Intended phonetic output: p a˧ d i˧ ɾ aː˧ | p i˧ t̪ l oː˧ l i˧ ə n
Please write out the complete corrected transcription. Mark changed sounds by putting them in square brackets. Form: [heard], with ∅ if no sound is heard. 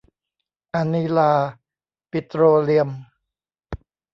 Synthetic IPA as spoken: [ʔ] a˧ [n] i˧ [l] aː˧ | p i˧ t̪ [ɾ] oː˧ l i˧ ə [m]